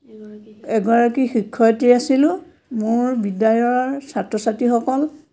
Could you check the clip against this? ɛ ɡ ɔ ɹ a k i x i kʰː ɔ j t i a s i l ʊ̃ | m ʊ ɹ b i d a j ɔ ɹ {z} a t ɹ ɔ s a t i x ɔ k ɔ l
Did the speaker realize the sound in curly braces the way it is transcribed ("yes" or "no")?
no